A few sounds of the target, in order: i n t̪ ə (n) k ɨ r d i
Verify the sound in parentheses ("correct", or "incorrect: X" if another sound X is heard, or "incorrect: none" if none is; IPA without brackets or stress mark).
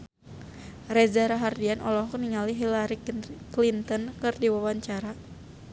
correct